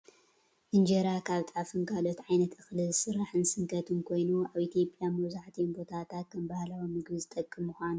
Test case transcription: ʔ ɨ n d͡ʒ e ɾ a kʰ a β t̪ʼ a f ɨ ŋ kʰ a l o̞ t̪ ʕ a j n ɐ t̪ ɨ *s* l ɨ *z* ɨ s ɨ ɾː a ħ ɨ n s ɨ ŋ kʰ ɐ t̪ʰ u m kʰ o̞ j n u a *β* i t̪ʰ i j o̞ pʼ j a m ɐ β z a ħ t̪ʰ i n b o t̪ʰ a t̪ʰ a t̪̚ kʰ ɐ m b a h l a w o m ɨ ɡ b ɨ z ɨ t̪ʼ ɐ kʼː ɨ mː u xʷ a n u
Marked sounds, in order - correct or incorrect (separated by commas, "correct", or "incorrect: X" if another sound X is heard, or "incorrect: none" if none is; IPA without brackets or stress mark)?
incorrect: x, correct, correct